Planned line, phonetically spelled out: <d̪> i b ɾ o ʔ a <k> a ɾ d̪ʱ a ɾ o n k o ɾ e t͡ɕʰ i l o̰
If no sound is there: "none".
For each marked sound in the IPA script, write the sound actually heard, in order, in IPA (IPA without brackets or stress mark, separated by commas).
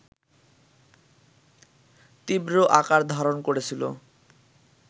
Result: t̪, k